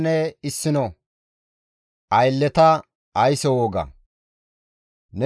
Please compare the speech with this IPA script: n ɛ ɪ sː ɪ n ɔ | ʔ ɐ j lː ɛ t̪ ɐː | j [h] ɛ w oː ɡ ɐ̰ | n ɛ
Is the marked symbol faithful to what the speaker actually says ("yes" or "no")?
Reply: no